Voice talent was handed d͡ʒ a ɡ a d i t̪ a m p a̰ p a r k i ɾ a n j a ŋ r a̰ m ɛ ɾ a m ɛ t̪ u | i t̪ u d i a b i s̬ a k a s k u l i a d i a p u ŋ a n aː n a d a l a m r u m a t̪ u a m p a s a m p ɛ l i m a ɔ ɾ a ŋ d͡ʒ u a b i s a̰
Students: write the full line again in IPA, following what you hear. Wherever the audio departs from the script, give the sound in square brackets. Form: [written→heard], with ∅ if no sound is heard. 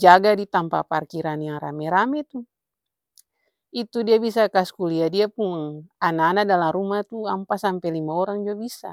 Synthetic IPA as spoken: d͡ʒ a ɡ a d i t̪ a m p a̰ p a r k i ɾ a n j a ŋ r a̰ m ɛ ɾ a m ɛ t̪ u | i t̪ u d i a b i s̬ a k a s k u l i a d i a p u ŋ a n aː n a d a l a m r u m a t̪ u a m p a s a m p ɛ l i m a ɔ ɾ a ŋ d͡ʒ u a b i s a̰